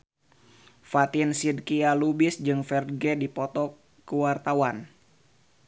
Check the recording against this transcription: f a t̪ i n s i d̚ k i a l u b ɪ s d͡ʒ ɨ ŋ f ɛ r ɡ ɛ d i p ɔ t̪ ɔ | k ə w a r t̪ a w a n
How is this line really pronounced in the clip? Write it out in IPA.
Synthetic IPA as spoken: f a t̪ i n s i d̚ k i a l u b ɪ s d͡ʒ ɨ ŋ f ɛ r ɡ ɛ d i p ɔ t̪ ɔ | k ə w a r t̪ a w a n